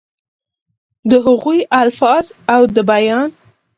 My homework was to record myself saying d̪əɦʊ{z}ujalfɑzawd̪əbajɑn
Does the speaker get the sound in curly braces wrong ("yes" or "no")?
yes